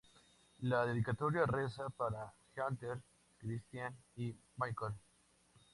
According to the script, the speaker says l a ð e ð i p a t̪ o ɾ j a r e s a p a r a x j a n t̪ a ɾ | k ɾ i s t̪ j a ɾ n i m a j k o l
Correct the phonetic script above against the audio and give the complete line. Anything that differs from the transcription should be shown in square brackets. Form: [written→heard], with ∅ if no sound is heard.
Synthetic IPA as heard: l a ð e ð i [p→k] a t̪ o ɾ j a r e s a p a [r→ɾ] a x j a n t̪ [a→e] ɾ | k ɾ i s t̪ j a [ɾ→∅] n i m a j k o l